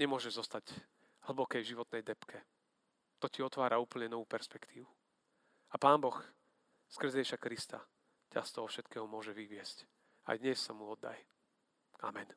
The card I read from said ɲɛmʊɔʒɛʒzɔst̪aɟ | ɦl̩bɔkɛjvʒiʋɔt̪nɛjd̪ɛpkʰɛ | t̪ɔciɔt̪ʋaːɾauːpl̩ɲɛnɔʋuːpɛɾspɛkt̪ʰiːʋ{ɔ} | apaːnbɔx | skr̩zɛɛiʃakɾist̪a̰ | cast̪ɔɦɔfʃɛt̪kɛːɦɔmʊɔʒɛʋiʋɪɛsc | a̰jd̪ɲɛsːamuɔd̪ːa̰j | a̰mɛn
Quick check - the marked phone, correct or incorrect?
incorrect